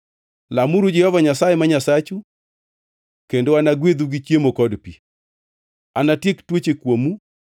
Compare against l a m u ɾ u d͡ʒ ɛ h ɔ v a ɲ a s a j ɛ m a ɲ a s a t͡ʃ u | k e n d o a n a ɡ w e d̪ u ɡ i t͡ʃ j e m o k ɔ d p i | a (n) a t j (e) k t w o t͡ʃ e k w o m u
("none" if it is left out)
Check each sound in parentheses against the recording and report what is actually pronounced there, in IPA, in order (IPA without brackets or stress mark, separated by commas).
n, e